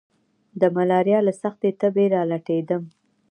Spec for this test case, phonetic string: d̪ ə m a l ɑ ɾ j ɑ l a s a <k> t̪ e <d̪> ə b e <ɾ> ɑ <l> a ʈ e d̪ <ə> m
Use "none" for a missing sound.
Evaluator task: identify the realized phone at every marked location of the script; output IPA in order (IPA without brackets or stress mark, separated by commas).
x, t̪, ɾ, l, ə